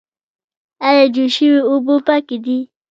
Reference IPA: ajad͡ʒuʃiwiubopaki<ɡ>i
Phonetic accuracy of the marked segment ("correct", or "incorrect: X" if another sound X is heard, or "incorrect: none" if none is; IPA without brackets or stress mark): incorrect: d